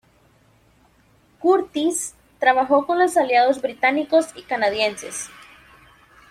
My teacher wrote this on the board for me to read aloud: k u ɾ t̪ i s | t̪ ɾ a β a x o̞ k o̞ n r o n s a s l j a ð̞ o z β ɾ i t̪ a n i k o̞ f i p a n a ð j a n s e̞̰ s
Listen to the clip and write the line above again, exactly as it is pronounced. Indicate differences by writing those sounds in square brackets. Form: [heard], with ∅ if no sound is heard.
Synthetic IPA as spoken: k u ɾ t̪ i s | t̪ ɾ a β a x o̞ k o̞ n [l] o [∅] s a [∅] l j a ð̞ o z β ɾ i t̪ a n i k o̞ [s] i [k] a n a ð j [e] n s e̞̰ s